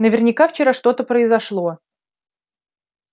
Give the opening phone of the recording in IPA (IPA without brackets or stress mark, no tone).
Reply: n